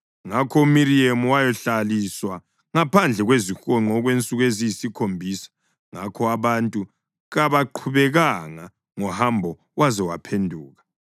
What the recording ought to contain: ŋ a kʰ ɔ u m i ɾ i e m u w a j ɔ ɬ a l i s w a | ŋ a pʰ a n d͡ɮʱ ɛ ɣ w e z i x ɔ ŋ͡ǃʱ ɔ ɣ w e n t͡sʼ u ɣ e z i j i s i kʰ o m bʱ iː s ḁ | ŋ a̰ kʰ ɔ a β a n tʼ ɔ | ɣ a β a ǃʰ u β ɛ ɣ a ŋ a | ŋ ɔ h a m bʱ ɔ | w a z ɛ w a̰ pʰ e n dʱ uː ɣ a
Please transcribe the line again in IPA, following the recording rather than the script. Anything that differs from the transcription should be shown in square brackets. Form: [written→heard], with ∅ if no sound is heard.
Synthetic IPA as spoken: ŋ a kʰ ɔ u m i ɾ i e m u w a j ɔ ɬ a l i s w a | ŋ a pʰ a n d͡ɮʱ ɛ ɣ w e z i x ɔ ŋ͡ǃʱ ɔ ɣ w e n t͡sʼ u ɣ e z i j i s i kʰ o m bʱ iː s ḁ | ŋ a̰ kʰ ɔ a β a n tʼ [ɔ→u] | ɣ a β a ǃʰ u β ɛ ɣ a ŋ a | ŋ ɔ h a m bʱ ɔ | w a z ɛ w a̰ pʰ e n dʱ uː ɣ a

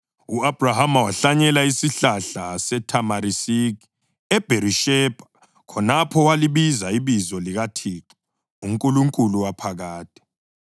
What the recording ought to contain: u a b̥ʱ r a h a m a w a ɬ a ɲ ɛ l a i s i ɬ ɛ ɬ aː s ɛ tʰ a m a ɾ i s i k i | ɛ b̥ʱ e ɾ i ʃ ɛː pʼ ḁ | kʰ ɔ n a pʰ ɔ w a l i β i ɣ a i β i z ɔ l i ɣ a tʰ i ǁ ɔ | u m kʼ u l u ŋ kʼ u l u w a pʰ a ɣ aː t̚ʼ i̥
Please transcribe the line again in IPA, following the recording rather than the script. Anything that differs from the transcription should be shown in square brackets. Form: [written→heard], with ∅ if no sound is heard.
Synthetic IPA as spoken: u a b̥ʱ r a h a m a w a ɬ a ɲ ɛ l a i s i ɬ [ɛ→a] ɬ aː s ɛ tʰ a m a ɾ i s i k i | ɛ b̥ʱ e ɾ i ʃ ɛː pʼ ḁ | kʰ ɔ n a pʰ ɔ w a l i β i [ɣ→z] a i β i z ɔ l i ɣ a tʰ i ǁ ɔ | u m kʼ u l u ŋ kʼ u l u w a pʰ a ɣ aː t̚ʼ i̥

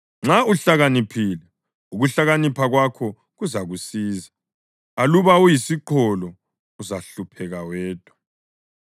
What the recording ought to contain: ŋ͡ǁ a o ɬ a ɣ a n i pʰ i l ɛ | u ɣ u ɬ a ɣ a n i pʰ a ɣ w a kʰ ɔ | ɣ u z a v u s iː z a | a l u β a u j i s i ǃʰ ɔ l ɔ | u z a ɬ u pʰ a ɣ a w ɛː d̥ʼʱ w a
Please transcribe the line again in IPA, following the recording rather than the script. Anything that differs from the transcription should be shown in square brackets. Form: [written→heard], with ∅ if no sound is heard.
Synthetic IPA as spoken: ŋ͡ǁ a [o→u] ɬ a ɣ a n i pʰ i l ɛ | u ɣ u ɬ a ɣ a n i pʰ a ɣ w a kʰ ɔ | ɣ u z a [v→ɣ] u s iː z a | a l u β a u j i s i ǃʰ ɔ l ɔ | u z a ɬ u pʰ [a→ɛ] ɣ a w ɛː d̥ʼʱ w a

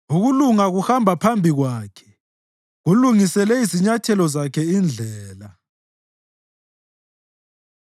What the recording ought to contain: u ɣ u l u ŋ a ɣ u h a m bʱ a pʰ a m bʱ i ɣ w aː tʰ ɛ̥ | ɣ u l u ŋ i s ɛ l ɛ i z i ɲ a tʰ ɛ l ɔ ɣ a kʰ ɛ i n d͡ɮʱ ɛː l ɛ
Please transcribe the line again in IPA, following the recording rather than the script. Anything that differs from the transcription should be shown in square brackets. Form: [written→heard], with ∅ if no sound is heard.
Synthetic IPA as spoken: u ɣ u l u ŋ a ɣ u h a m bʱ a pʰ a m bʱ i ɣ w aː [tʰ→kʰ] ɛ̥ | ɣ u l u ŋ i s ɛ l ɛ i z i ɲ a tʰ ɛ l ɔ [ɣ→z] a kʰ ɛ i n d͡ɮʱ ɛː l [ɛ→a]

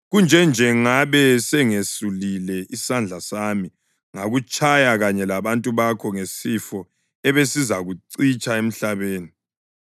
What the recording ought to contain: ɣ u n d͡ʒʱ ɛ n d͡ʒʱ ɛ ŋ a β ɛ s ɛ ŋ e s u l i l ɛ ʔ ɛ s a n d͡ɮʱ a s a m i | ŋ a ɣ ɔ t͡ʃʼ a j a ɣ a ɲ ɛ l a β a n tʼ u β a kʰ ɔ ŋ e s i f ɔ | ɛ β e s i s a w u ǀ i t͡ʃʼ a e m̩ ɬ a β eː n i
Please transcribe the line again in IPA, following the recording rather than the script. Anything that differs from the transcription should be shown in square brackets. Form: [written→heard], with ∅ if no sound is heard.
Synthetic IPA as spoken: ɣ u n d͡ʒʱ ɛ n d͡ʒʱ ɛ ŋ a β ɛ s ɛ ŋ e s u l i l ɛ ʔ [ɛ→i] s a n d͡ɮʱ a s a m i | ŋ a ɣ [ɔ→u] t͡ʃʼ a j a ɣ a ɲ ɛ l a β a n tʼ u β a kʰ ɔ ŋ e s i f ɔ | ɛ β e s i [s→z] a [w→ɣ] u ǀ i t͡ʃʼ a e m̩ ɬ a β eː n i

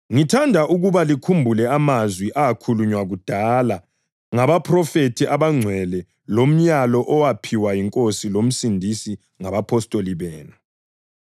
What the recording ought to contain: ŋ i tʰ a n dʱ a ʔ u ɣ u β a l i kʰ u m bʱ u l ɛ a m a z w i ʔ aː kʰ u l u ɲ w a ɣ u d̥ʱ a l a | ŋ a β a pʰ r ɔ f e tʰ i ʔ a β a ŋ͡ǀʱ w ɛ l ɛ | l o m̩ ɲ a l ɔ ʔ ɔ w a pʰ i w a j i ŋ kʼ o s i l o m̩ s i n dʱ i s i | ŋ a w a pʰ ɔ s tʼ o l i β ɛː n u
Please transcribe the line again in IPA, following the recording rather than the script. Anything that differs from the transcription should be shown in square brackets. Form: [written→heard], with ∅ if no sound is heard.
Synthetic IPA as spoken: ŋ i tʰ a n dʱ a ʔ u ɣ u β a l i kʰ u m bʱ u l ɛ a m a z w i ʔ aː kʰ u l u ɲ w a ɣ u d̥ʱ a l a | ŋ a β a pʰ r ɔ f e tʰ i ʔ a β a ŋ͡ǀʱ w ɛ l ɛ | l o m̩ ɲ a l ɔ ʔ ɔ w a pʰ i w a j i ŋ kʼ o s i l o m̩ s i n dʱ i s i | ŋ a [w→β] a pʰ ɔ s tʼ o l i β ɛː n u

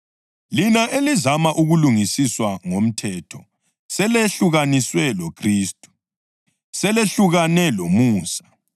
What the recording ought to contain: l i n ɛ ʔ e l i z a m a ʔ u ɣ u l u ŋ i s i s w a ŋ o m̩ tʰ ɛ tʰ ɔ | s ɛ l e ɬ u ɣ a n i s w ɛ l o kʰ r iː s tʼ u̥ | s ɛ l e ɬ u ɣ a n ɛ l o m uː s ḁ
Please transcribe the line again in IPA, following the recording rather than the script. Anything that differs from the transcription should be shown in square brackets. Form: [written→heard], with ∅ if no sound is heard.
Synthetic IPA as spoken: l i n [ɛ→a] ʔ e l i z a m a ʔ u ɣ u l u ŋ i s i s w a ŋ o m̩ tʰ ɛ tʰ ɔ | s ɛ l e ɬ u ɣ a n i s w ɛ l o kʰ r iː s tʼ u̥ | s ɛ l e ɬ u ɣ a n ɛ l o m uː s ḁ

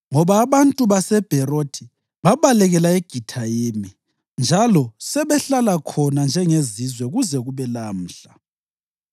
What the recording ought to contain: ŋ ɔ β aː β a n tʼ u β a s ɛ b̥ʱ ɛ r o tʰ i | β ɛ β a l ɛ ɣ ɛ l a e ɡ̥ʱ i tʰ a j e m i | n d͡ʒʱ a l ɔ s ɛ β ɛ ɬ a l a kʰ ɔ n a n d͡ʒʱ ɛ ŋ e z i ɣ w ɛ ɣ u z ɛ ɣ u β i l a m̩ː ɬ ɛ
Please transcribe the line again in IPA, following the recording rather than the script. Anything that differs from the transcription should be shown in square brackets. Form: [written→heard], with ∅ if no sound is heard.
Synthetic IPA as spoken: ŋ ɔ β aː β a n tʼ u β a s ɛ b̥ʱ ɛ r o tʰ i | β [ɛ→a] β a l ɛ ɣ ɛ l a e ɡ̥ʱ i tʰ a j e m i | n d͡ʒʱ a l ɔ s ɛ β ɛ ɬ a l a kʰ ɔ n a n d͡ʒʱ ɛ ŋ e z i [ɣ→z] w ɛ ɣ u z ɛ ɣ u β [i→ɛ] l a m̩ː ɬ [ɛ→a]

